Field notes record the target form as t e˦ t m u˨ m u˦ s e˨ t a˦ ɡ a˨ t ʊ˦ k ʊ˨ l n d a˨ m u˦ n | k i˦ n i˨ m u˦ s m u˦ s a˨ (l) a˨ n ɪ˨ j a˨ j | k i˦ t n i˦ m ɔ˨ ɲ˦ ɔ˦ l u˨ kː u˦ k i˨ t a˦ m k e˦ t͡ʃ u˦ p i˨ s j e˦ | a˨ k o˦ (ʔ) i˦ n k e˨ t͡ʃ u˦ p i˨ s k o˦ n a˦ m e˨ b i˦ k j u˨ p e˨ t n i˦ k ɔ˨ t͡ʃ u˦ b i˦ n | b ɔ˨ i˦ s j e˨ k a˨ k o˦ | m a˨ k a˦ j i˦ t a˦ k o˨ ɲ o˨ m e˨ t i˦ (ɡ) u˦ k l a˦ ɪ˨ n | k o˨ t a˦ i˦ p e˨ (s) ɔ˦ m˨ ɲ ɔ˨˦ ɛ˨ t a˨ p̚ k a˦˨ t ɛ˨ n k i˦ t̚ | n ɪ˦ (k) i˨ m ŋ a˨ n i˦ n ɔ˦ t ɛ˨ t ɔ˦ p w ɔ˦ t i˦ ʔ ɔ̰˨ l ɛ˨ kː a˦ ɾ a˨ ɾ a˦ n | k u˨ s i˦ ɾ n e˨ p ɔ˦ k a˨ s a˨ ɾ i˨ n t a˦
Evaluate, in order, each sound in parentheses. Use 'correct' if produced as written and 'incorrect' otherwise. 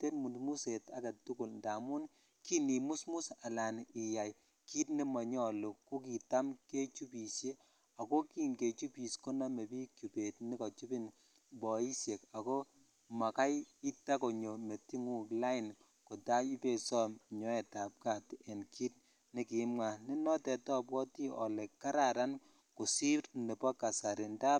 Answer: correct, incorrect, incorrect, correct, correct

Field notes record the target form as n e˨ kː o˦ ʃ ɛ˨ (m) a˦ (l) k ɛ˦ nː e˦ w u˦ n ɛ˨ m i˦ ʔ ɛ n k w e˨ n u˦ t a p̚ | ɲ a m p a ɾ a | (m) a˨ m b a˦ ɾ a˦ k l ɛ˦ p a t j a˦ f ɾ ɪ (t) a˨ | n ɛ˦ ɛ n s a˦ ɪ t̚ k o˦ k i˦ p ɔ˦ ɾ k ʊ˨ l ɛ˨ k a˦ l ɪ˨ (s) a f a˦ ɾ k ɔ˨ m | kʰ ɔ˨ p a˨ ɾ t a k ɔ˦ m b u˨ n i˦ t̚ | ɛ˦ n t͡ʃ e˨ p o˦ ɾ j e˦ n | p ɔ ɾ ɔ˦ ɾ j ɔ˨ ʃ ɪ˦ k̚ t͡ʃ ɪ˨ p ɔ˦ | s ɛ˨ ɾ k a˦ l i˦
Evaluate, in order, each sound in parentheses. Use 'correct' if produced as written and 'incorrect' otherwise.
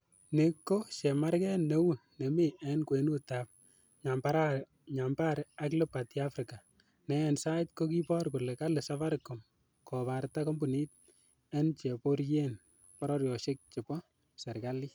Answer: correct, incorrect, incorrect, incorrect, correct

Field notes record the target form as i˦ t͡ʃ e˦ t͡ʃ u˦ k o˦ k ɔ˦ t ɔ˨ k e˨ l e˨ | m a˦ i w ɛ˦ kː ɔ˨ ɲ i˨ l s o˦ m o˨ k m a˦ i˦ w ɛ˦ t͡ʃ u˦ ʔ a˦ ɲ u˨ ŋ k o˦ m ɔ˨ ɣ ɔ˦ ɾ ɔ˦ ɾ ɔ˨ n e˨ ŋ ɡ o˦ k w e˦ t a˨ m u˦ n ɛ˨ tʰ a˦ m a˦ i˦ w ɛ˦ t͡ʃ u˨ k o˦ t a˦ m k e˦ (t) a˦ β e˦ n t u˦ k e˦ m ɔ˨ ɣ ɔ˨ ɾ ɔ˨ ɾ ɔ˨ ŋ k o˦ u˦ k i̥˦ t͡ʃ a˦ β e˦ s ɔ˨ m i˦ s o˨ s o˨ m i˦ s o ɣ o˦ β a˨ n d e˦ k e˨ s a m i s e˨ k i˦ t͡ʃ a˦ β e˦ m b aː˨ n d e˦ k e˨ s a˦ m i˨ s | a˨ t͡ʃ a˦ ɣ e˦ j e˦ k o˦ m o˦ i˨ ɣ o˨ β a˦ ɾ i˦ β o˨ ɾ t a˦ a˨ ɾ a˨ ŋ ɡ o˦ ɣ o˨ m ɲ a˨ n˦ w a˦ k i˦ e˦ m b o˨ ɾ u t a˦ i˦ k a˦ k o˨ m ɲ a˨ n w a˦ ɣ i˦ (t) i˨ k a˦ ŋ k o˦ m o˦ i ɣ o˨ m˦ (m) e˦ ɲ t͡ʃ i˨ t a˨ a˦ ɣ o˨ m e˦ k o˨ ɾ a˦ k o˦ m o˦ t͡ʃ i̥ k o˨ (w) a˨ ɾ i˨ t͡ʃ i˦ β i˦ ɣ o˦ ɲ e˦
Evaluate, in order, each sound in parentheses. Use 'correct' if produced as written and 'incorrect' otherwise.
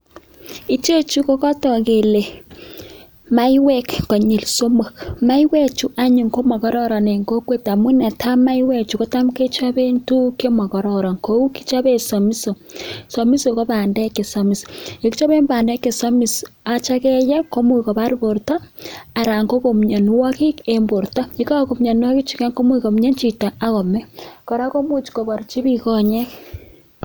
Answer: incorrect, incorrect, incorrect, incorrect

